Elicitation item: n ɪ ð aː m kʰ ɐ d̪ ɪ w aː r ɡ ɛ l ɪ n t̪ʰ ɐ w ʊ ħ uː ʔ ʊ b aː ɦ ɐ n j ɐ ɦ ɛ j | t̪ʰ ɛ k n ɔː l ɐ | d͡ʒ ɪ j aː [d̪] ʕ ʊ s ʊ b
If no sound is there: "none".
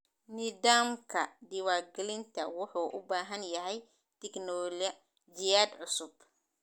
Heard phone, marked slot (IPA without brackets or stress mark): d̪